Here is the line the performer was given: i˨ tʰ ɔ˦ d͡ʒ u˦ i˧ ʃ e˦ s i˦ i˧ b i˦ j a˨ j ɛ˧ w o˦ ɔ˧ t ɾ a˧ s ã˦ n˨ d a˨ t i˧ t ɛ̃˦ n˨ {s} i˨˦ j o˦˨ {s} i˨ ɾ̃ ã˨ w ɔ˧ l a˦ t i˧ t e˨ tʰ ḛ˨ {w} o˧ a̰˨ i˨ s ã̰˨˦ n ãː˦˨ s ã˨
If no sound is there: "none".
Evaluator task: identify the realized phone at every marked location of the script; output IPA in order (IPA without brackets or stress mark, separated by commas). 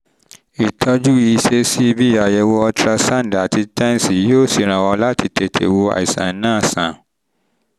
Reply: s, s, w